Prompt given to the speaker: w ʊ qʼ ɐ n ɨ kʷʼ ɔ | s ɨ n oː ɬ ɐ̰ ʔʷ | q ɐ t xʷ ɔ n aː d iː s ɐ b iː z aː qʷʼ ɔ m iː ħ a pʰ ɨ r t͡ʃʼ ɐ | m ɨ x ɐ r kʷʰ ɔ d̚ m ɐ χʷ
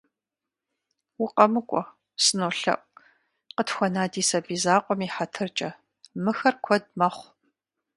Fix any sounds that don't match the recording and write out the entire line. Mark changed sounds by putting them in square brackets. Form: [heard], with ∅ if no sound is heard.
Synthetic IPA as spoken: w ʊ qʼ ɐ [m] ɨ kʷʼ ɔ | s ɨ n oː ɬ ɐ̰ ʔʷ | q [ə] t xʷ ɔ n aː d iː s ɐ b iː z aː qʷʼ ɔ m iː ħ a [tʰ] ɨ r t͡ʃʼ ɐ | m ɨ x ɐ r kʷʰ ɔ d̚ m ɐ χʷ